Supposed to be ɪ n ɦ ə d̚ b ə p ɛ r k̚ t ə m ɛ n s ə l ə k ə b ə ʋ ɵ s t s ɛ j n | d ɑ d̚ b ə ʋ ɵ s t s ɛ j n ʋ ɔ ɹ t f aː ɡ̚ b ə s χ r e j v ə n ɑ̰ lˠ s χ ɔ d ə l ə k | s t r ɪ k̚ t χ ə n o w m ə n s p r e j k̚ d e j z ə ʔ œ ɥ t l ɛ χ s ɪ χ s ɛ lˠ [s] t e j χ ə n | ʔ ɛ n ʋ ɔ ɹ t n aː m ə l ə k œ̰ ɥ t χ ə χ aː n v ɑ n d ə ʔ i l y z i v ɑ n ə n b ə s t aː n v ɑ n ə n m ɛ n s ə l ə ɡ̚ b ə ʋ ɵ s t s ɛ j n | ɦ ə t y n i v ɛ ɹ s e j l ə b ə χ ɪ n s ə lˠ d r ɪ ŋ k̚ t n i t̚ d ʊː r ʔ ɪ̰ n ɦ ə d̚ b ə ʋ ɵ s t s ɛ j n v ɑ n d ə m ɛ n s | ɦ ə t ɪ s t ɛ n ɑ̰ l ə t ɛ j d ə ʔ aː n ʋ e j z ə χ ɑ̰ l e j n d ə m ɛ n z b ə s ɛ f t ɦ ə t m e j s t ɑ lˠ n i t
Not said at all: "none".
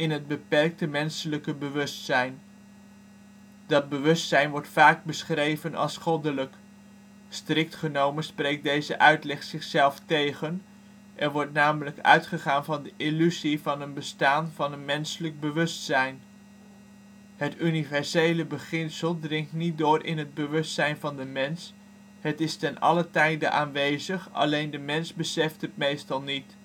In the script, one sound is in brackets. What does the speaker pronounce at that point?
f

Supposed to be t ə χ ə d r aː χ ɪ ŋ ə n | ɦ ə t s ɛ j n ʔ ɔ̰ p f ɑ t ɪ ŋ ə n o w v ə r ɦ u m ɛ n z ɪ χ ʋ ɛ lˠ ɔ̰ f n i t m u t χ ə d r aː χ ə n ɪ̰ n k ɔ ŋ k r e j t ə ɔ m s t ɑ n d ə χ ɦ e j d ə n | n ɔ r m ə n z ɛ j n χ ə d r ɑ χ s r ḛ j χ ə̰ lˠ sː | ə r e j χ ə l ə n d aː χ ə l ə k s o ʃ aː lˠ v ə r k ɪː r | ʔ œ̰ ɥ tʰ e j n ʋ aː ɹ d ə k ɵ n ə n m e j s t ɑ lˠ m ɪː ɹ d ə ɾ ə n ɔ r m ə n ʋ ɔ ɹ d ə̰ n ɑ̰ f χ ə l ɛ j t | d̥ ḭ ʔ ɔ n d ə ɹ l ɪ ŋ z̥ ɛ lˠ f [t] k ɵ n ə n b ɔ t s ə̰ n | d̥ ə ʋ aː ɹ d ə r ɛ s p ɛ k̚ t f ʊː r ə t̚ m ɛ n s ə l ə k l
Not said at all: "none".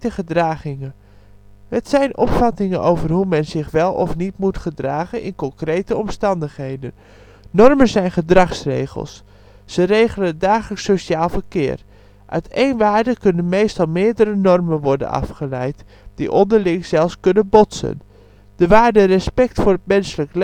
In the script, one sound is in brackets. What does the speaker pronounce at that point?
s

